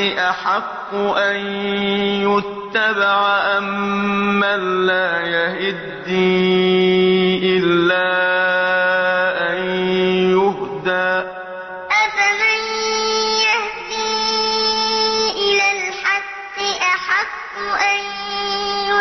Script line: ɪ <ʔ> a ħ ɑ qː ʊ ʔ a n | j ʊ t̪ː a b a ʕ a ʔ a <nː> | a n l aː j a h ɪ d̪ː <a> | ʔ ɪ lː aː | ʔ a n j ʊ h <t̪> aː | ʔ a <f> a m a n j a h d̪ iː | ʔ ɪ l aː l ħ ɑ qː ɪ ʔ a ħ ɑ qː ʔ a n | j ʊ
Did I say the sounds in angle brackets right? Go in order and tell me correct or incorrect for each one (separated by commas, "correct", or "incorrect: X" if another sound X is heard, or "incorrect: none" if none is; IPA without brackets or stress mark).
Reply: correct, incorrect: mː, incorrect: i, incorrect: d̪, correct